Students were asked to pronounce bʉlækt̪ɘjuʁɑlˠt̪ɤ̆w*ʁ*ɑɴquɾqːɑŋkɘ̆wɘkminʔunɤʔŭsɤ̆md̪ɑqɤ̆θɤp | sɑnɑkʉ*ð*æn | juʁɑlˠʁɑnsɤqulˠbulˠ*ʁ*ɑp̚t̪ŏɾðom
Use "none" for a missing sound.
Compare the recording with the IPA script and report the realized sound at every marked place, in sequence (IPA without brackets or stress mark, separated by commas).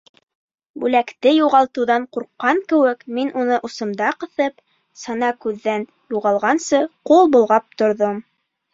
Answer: ð, ðː, ʁ